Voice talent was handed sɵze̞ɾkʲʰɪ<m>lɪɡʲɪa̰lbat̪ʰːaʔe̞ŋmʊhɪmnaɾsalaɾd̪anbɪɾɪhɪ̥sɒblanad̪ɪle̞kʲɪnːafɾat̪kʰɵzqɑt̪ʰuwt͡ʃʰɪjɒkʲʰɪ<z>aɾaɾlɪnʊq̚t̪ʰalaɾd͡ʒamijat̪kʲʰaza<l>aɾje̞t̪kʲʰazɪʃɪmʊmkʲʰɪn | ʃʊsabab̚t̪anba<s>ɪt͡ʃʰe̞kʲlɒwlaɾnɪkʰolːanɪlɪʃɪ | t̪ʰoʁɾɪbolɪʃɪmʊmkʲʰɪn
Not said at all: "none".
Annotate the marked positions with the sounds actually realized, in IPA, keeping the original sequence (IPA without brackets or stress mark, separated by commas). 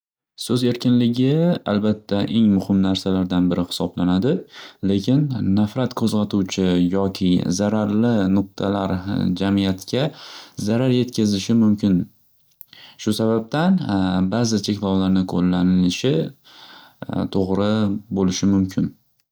n, z, ɾ, z